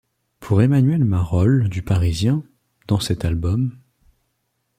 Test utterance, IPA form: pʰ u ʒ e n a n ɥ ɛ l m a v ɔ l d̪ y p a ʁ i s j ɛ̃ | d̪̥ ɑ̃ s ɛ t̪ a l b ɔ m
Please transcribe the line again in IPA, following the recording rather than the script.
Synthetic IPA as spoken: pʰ u ʁ e m a n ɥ ɛ l m a ʁ ɔ l d̪ y p a ʁ i z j ɛ̃ | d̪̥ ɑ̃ s ɛ t̪ a l b ɔ m

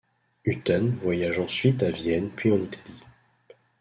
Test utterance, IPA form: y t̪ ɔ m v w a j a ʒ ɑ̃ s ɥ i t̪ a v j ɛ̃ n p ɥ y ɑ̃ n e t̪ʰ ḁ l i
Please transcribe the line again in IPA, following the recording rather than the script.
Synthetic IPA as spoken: y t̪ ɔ n v w a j a ʒ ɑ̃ s ɥ i t̪ a v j ɛ n p ɥ i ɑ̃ n i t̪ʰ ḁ l i

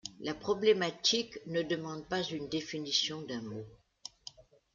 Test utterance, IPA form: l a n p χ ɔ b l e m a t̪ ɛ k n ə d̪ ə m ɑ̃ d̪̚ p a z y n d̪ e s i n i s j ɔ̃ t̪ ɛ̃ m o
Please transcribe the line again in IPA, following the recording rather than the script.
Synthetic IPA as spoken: l a p χ ɔ b l e m a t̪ i k n ə d̪ ə m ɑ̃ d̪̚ p a z y n d̪ e f i n i s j ɔ̃ d̪ ɛ̃ m o

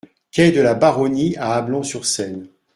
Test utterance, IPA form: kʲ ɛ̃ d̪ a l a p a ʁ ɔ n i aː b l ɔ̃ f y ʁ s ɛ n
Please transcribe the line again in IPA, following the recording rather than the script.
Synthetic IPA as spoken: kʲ ɛ d̪ ə l a b a ʁ ɔ n i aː b l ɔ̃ s y ʁ s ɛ n

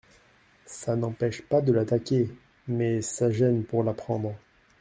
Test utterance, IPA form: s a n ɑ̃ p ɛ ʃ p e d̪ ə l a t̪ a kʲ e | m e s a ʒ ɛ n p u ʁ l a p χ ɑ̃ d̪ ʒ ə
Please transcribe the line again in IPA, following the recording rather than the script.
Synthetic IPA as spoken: s a n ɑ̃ p ɛ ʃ p a d̪ ə l a t̪ a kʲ e | m ɛ s a ʒ ɛ n p u ʁ l a p χ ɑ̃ d̪ ʁ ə

